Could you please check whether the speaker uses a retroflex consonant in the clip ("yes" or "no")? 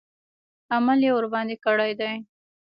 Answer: yes